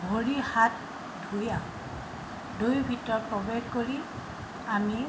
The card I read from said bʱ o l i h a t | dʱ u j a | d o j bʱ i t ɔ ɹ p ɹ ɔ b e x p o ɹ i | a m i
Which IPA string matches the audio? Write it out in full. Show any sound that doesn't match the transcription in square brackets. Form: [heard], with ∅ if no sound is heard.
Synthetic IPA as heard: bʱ o [ɹ] i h a t | dʱ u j a | d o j bʱ i t ɔ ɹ p ɹ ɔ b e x [k] o ɹ i | a m i